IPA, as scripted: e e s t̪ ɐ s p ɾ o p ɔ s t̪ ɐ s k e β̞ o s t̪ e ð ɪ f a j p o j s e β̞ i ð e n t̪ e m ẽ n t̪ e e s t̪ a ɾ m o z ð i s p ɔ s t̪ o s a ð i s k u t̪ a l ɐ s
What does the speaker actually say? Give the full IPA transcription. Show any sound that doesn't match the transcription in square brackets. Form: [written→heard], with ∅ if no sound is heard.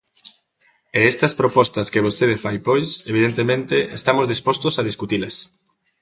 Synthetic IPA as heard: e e s t̪ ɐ s p ɾ o p ɔ s t̪ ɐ s k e β̞ o s t̪ e ð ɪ f a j p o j s e β̞ i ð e n t̪ e m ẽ n t̪ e e s t̪ a [ɾ→∅] m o z ð i s p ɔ s t̪ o s a ð i s k u t̪ [a→i] l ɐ s